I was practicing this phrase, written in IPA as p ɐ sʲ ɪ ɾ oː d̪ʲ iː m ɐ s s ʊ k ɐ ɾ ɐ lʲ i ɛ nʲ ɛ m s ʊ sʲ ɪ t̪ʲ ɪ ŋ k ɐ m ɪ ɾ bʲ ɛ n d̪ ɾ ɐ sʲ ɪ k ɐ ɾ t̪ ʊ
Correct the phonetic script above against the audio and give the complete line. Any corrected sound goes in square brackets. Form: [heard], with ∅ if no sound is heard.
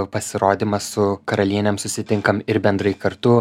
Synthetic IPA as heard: p ɐ sʲ ɪ ɾ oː d̪ʲ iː m ɐ s s ʊ k ɐ ɾ ɐ lʲ i ɛ nʲ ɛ m s ʊ sʲ ɪ t̪ʲ ɪ ŋ k ɐ m ɪ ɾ bʲ ɛ n d̪ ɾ ɐ [∅] ɪ k ɐ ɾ t̪ ʊ